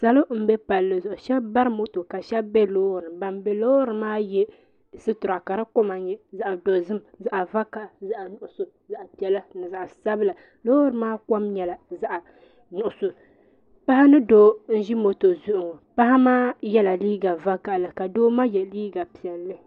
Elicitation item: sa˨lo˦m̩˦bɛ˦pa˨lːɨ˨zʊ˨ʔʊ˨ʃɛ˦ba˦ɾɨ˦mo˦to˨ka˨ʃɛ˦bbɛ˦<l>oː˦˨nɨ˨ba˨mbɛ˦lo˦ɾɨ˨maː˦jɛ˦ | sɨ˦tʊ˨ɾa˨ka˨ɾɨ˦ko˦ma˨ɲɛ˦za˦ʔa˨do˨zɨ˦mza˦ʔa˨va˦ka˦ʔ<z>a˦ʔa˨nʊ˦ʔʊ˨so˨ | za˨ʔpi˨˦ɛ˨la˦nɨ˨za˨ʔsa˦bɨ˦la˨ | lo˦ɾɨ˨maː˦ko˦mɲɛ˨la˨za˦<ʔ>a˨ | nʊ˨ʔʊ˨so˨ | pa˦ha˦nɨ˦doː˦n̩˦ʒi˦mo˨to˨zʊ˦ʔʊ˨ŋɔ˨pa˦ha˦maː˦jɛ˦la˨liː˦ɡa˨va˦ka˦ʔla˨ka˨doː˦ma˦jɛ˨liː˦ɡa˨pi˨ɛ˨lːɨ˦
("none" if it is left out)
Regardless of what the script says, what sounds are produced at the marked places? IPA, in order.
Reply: l, z, ʔ

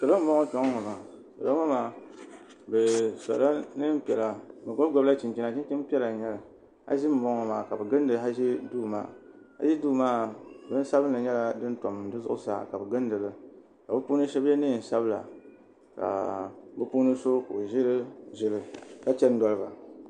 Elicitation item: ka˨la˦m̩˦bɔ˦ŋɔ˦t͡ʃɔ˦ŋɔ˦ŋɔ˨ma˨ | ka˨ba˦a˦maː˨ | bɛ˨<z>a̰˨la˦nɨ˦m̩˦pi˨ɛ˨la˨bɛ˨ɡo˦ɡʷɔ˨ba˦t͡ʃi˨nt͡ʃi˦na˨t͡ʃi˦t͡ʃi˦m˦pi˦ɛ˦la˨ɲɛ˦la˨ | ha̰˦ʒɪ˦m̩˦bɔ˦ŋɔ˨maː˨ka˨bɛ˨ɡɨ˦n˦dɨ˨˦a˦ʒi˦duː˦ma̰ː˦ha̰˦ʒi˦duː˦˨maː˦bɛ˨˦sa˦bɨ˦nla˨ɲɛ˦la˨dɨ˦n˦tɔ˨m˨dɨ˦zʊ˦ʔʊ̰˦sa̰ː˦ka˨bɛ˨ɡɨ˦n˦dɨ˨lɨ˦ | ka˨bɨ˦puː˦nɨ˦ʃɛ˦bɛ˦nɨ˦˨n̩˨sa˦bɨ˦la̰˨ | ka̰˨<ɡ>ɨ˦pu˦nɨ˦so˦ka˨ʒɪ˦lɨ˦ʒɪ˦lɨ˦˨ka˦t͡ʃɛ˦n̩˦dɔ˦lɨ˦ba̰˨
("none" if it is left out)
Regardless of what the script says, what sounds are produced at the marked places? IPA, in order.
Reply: s, b

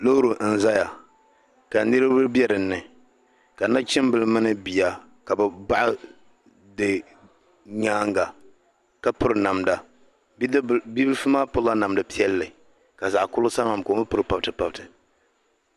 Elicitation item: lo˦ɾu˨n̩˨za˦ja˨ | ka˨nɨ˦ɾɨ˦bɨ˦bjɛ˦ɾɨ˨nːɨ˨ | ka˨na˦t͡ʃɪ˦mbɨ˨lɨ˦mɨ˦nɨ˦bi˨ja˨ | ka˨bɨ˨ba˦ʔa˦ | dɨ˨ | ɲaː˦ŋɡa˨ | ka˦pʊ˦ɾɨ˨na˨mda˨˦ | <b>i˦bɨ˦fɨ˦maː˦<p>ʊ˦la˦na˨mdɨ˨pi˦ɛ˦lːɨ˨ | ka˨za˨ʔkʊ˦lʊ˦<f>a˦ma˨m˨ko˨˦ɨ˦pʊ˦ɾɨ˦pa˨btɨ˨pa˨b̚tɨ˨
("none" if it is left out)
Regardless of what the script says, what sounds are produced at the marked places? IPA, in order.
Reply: b, p, s

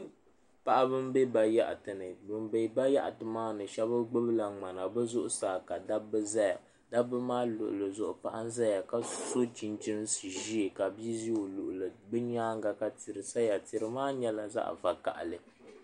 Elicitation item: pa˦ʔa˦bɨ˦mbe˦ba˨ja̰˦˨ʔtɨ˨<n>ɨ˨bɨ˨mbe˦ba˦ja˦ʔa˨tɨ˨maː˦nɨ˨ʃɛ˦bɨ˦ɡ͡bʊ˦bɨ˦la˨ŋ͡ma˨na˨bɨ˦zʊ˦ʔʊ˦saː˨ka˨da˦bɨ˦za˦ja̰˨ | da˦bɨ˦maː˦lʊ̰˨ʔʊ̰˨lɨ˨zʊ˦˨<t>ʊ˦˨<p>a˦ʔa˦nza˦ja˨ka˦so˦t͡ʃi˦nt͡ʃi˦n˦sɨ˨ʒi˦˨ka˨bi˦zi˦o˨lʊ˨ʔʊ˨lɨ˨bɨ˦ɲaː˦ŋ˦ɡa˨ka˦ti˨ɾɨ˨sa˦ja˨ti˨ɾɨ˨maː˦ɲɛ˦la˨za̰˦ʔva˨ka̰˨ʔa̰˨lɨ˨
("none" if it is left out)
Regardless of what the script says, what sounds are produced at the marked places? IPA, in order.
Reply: n, ʔ, p

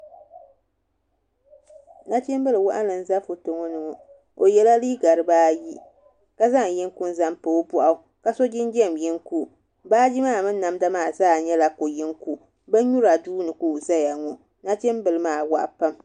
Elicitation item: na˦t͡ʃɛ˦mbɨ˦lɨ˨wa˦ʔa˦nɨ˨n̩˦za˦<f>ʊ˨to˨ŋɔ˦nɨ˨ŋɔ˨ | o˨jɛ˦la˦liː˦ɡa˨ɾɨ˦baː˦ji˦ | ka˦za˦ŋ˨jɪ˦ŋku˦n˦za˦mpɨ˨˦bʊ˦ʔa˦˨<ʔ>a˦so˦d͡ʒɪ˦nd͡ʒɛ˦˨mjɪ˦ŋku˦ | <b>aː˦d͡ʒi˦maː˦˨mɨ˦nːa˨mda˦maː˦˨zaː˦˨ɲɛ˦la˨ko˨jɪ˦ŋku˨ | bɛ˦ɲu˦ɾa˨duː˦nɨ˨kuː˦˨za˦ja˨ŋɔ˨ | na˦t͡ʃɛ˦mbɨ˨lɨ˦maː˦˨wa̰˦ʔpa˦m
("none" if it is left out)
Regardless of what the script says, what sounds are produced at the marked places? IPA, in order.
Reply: f, k, b

